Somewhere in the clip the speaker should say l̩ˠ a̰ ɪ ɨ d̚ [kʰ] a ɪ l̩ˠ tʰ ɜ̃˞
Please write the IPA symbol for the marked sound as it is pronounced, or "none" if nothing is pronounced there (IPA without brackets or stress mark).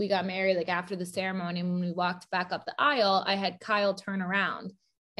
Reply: kʰ